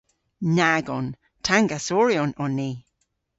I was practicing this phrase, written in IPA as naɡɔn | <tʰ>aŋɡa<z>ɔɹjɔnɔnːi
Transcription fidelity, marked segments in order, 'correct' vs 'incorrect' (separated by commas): correct, incorrect